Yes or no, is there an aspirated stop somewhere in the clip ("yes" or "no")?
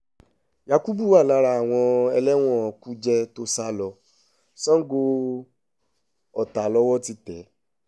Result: no